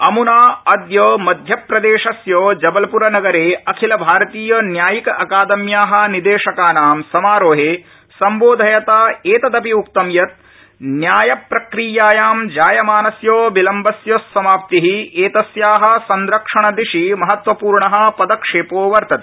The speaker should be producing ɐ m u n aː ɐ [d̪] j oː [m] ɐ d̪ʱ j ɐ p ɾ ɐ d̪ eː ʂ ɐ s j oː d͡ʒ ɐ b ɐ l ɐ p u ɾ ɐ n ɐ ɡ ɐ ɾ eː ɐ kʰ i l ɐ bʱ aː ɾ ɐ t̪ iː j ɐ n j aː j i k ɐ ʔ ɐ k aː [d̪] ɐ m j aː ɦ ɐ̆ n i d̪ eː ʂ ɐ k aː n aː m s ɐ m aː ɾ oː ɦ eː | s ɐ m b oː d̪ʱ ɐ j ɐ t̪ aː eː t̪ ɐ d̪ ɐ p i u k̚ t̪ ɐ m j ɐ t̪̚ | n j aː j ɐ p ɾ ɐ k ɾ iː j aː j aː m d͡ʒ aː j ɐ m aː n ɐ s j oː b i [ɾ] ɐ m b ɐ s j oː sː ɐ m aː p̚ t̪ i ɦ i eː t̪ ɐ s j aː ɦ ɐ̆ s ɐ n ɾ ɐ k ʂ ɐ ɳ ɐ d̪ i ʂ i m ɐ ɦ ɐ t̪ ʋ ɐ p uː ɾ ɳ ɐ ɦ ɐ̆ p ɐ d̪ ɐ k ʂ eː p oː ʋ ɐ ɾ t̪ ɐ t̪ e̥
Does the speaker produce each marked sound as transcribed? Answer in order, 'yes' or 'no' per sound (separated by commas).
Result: yes, yes, yes, no